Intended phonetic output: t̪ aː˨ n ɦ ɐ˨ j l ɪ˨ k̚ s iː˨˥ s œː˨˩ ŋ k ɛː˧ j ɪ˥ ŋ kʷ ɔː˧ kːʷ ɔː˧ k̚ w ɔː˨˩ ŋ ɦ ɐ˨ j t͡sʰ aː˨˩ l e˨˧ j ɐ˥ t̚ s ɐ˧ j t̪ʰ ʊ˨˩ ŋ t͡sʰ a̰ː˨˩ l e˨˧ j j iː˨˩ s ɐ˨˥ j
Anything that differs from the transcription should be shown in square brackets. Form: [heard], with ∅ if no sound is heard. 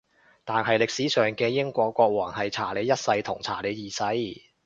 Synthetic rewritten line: t̪ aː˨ n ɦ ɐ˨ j l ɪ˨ k̚ s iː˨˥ s œː˨˩ ŋ k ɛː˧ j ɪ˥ ŋ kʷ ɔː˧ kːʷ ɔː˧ k̚ w ɔː˨˩ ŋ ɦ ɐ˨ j t͡sʰ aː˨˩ l e˨˧ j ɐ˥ t̚ s ɐ˧ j t̪ʰ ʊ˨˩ ŋ t͡sʰ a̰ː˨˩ l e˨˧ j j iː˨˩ s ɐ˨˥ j